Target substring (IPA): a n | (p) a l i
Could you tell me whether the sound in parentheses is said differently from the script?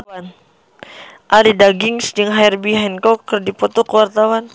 yes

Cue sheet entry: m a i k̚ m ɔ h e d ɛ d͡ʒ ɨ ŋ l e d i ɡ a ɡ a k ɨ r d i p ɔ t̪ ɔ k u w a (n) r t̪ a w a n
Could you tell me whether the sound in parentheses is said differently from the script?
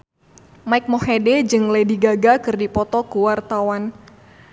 yes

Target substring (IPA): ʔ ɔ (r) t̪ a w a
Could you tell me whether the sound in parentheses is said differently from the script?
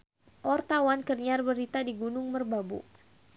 no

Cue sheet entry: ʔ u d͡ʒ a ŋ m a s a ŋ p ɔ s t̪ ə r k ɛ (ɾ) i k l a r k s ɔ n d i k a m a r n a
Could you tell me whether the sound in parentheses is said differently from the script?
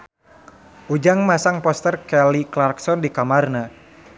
yes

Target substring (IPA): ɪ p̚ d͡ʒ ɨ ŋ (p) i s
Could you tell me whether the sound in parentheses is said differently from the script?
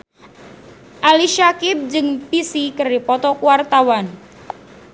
no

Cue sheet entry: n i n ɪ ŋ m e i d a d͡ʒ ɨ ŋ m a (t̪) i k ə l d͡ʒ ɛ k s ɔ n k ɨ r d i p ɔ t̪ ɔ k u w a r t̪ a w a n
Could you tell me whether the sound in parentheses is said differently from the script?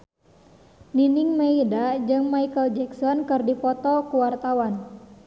yes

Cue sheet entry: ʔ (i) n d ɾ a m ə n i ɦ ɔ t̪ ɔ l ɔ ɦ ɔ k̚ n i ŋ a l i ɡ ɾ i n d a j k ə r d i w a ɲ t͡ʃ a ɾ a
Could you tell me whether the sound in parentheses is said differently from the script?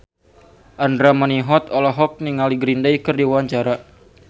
yes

